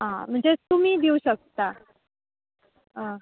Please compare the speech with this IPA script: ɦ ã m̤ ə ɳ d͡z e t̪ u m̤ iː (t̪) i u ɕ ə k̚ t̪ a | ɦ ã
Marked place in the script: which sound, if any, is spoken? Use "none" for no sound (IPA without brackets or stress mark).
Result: d̪